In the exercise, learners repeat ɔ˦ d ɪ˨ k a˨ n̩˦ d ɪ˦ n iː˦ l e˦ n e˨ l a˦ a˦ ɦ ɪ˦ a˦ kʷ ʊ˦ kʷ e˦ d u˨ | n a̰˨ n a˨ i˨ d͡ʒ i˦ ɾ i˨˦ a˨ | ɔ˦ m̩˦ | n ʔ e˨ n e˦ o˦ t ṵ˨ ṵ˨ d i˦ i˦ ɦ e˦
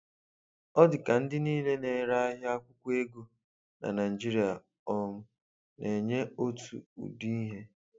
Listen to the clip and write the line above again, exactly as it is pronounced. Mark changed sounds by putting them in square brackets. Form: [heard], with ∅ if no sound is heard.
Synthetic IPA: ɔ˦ d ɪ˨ k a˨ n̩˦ d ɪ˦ n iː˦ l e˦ n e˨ [ɾ] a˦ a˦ ɦ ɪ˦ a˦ kʷ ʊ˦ kʷ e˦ [ɡ] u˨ | n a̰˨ n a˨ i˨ d͡ʒ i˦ ɾ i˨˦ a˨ | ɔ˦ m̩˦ | n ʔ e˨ [ɲ] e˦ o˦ t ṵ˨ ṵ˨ d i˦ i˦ ɦ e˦